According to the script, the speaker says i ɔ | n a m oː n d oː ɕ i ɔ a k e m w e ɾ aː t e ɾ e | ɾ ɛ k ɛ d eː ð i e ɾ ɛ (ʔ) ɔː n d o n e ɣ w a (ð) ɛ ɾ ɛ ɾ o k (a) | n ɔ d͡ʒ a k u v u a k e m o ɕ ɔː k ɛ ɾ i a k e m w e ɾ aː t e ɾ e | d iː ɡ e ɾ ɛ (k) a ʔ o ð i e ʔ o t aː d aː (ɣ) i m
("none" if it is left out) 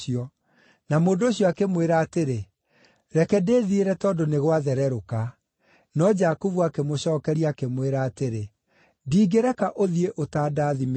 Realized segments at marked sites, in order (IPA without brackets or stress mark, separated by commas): t, ð, a, k, ð